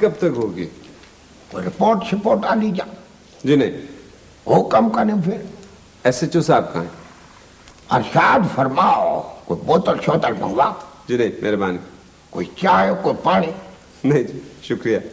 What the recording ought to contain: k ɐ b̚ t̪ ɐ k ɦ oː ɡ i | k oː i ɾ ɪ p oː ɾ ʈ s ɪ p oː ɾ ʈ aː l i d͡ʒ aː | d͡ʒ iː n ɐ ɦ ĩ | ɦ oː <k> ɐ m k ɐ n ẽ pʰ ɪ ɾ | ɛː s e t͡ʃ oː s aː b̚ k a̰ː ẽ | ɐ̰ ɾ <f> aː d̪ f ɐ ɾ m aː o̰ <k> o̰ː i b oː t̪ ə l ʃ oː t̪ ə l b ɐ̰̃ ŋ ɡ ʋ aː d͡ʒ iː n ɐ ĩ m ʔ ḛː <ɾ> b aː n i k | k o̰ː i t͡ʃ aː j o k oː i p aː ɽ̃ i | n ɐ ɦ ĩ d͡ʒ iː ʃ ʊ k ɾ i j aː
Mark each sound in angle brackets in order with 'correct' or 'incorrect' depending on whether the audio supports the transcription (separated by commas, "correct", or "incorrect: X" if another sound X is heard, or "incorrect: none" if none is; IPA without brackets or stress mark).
correct, incorrect: ʃ, correct, correct